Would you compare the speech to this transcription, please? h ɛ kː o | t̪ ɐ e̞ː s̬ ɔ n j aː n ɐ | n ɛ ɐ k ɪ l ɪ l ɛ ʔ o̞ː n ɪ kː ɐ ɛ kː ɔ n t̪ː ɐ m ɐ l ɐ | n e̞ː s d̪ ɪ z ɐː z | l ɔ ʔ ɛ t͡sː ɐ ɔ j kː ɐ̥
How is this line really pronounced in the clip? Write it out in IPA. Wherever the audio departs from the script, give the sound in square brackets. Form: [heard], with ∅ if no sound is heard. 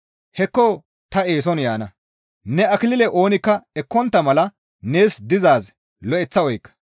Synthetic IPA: h ɛ kː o | t̪ ɐ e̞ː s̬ ɔ n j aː n ɐ | n ɛ ɐ k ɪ l ɪ l ɛ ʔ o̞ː n ɪ kː ɐ ɛ kː ɔ n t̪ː ɐ m ɐ l ɐ | n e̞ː s d̪ ɪ z [aː] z | l ɔ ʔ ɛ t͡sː ɐ ɔ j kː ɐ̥